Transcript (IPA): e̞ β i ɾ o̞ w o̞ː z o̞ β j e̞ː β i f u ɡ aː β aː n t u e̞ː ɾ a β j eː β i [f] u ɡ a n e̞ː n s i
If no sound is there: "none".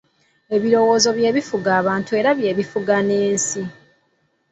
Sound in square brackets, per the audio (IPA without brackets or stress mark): f